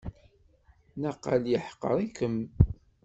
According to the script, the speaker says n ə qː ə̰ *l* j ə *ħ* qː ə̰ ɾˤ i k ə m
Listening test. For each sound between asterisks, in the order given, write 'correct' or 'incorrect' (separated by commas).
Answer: correct, correct